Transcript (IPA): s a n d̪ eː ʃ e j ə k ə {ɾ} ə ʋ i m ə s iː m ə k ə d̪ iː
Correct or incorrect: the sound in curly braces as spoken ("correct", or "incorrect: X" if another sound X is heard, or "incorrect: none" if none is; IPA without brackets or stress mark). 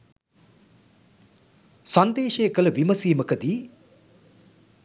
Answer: incorrect: l